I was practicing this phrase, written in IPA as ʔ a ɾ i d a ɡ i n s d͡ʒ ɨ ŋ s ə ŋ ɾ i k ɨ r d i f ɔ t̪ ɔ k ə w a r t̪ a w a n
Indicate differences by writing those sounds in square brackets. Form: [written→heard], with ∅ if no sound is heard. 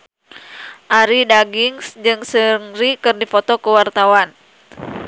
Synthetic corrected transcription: ʔ a ɾ i d a ɡ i [n→ŋ] s d͡ʒ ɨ ŋ s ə ŋ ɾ i k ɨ r d i f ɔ t̪ ɔ k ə w a r t̪ a w a n

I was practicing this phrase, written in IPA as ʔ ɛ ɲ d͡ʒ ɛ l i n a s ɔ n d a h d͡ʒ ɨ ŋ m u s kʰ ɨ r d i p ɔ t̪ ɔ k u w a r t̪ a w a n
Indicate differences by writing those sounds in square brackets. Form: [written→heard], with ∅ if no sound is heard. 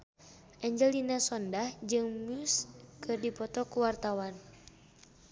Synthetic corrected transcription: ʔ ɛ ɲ d͡ʒ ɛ l i n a s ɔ n d a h d͡ʒ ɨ ŋ m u s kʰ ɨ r d i p ɔ t̪ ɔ k u w a r t̪ a w a n

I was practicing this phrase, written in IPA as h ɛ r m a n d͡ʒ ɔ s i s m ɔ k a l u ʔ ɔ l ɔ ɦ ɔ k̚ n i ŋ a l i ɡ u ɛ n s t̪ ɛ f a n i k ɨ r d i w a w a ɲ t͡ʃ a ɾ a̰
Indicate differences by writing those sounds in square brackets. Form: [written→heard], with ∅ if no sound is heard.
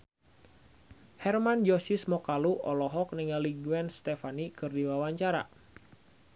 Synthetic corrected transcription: h ɛ r m a n d͡ʒ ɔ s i s m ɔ k a l u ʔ ɔ l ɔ ɦ ɔ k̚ n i ŋ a l i ɡ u ɛ n s t̪ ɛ f a n i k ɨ r d i w a w a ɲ t͡ʃ a ɾ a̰

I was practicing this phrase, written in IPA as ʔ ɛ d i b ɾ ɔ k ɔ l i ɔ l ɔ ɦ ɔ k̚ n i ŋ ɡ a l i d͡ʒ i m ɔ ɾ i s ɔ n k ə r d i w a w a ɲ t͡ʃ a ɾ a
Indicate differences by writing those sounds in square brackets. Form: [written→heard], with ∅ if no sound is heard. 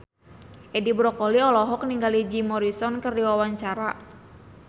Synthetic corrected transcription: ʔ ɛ d i b ɾ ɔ k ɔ l i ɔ l ɔ ɦ ɔ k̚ n i ŋ ɡ a l i d͡ʒ i m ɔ ɾ i s ɔ n k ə r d i w a w a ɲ t͡ʃ a ɾ a

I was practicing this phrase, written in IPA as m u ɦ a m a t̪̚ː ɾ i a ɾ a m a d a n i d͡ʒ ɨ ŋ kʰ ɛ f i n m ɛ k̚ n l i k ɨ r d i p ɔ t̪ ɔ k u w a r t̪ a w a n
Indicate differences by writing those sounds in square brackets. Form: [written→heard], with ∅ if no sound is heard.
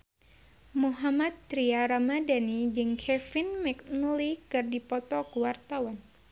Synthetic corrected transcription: m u ɦ a m a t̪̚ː ɾ i a ɾ a m a d a n i d͡ʒ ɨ ŋ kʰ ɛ f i n m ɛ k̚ n l i k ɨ r d i p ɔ t̪ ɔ k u w a r t̪ a w a n

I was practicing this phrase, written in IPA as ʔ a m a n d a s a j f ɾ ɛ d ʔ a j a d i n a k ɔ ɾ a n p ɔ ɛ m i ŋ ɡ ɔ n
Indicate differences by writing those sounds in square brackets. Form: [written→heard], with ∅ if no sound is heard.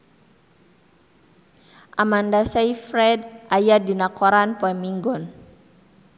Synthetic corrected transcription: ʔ a m a n d a s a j f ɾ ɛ d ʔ a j a d i n a k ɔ ɾ a n p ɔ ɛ m i ŋ ɡ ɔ n

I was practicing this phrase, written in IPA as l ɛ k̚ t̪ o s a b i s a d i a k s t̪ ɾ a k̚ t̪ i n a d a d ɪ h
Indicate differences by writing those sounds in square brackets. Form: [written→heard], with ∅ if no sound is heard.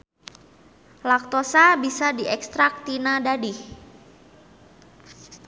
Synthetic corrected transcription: l [ɛ→a] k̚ t̪ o s a b i s a d i [a→ɛ] k s t̪ ɾ a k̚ t̪ i n a d a d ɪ h

